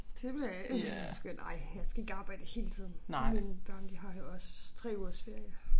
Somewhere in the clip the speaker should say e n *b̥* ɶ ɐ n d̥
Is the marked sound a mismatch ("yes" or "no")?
no